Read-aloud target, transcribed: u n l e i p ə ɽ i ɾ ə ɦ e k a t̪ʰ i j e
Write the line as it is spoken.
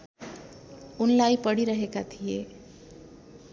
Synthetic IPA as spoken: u n l a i p ə ɽ i ɾ ə ɦ e k a t̪ʰ i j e